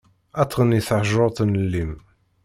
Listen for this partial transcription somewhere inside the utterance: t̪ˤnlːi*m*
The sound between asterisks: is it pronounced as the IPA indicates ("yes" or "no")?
yes